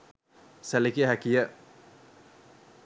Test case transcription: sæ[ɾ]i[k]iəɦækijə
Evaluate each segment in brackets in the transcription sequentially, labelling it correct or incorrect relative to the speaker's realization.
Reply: incorrect, correct

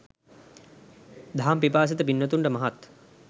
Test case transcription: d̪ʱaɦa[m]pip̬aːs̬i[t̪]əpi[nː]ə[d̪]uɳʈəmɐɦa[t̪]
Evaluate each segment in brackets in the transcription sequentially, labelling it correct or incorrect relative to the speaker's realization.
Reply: correct, correct, correct, incorrect, correct

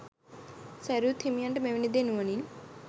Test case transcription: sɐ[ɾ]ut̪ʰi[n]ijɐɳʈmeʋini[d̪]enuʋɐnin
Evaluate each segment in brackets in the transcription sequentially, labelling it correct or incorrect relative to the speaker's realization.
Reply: correct, incorrect, correct

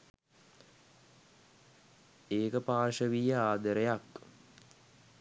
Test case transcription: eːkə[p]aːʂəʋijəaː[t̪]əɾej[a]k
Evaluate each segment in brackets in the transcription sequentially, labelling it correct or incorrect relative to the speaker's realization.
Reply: correct, incorrect, correct

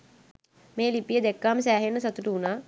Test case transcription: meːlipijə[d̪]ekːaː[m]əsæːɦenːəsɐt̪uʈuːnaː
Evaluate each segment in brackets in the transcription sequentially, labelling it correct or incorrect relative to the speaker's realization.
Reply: correct, correct

